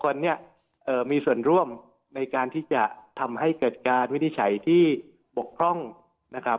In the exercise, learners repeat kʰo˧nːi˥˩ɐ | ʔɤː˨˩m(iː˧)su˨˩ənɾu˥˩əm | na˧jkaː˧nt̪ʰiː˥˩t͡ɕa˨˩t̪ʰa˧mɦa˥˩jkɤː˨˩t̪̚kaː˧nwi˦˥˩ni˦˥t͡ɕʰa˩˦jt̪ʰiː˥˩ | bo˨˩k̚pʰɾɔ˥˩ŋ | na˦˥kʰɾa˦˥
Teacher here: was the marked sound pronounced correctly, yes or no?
yes